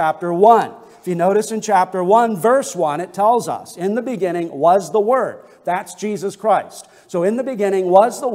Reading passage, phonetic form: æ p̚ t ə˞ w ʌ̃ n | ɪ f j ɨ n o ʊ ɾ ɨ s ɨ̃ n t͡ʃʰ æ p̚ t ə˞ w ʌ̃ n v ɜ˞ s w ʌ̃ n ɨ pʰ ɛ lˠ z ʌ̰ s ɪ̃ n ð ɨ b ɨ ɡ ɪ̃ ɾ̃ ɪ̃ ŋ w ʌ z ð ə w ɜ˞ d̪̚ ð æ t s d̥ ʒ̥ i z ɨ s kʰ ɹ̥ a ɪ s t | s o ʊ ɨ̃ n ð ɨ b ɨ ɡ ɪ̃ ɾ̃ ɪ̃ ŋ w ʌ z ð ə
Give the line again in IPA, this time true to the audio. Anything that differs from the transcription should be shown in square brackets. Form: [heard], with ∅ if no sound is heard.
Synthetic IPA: æ p̚ t ə˞ w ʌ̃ n | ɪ f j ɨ n o ʊ ɾ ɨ s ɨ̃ n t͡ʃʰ æ p̚ t ə˞ w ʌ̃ n v ɜ˞ s w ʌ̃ n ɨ [tʰ] ɛ lˠ z ʌ̰ s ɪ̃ n ð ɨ b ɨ ɡ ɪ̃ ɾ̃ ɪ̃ ŋ w ʌ z ð ə w ɜ˞ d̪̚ ð æ t s d̥ ʒ̥ i z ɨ s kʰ ɹ̥ a ɪ s t | s o ʊ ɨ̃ n ð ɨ b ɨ ɡ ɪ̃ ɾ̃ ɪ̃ ŋ w ʌ z ð ə